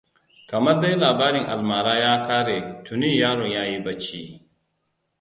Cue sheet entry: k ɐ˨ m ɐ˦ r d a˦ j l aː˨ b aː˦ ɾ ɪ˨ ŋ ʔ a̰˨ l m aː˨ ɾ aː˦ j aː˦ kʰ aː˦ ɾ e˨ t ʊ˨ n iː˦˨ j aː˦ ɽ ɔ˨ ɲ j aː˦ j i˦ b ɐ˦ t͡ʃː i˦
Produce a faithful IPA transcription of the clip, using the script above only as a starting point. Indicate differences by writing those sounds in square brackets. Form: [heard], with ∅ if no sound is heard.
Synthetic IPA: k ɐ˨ m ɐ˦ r d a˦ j l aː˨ b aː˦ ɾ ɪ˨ ŋ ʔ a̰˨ l m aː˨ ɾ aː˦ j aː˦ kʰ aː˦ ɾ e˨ t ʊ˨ n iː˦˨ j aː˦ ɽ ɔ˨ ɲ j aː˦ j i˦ b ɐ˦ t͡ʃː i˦